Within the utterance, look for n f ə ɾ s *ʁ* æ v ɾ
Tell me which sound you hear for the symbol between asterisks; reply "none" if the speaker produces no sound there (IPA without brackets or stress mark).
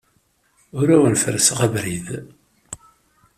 ʁ